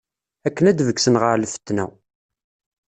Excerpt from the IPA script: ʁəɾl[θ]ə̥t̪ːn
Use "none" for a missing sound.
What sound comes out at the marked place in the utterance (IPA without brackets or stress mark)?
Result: f